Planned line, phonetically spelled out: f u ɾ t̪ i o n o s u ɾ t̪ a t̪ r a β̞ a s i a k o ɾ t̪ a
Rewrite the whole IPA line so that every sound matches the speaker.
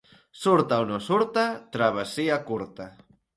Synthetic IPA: s u ɾ t̪ a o n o s u ɾ t̪ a t̪ ɾ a β̞ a s i a k u ɾ t̪ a